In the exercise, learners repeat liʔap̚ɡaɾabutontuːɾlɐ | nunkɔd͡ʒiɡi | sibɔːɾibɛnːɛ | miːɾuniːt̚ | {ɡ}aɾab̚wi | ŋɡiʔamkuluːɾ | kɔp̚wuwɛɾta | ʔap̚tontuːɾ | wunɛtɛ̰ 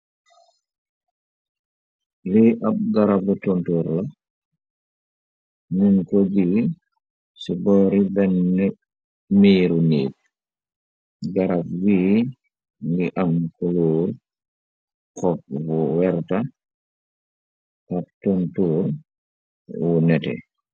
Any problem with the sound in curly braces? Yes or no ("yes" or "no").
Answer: no